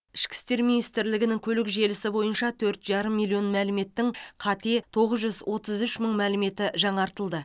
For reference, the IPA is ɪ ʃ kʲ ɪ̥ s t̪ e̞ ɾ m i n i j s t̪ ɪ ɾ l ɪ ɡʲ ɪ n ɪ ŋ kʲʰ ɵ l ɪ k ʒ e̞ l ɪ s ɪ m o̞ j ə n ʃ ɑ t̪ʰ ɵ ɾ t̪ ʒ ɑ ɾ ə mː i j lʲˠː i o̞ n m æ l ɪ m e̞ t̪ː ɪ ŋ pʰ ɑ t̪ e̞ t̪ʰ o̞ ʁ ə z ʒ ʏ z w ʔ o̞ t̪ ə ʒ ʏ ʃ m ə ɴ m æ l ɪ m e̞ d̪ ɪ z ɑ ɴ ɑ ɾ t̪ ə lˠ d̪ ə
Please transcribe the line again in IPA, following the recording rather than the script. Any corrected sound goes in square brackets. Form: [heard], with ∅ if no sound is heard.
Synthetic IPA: ɪ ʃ kʲ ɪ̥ s t̪ e̞ ɾ m i n i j s t̪ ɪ ɾ l ɪ ɡʲ ɪ n ɪ ŋ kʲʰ ɵ l ɪ k ʒ e̞ l ɪ s ɪ [b] o̞ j ə n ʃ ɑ t̪ʰ ɵ ɾ t̪ ʒ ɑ ɾ ə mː i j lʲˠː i o̞ n m æ l ɪ m e̞ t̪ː ɪ ŋ [qʰ] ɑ t̪ e̞ t̪ʰ o̞ ʁ ə z ʒ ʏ z w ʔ o̞ t̪ ə [z] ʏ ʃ m ə ɴ m æ l ɪ m e̞ [t̪] ɪ [ʒ] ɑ ɴ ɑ ɾ t̪ ə lˠ d̪ ə